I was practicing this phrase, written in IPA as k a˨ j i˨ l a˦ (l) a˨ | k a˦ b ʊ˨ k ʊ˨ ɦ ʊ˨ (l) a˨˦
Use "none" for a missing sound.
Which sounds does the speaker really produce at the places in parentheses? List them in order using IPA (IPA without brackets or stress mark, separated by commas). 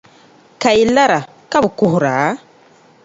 ɾ, ɾ